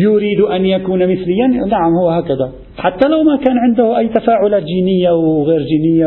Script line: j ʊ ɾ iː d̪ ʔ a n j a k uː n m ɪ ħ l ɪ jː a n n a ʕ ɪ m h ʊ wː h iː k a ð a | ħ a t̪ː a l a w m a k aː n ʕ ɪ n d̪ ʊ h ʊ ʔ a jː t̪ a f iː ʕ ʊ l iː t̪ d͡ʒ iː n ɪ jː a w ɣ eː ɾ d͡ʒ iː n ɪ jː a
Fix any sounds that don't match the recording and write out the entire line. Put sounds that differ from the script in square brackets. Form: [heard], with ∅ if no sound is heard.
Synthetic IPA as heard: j ʊ ɾ iː d̪ ʔ a n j a k uː n m ɪ [θ] l ɪ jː a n n a ʕ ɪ m h ʊ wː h [aː] k a ð a | ħ a t̪ː a l a w m a k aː n ʕ ɪ n d̪ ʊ h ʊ ʔ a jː t̪ a f [aː] ʕ ʊ l [aː] t̪ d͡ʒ iː n ɪ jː a w ɣ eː ɾ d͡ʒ iː n ɪ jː a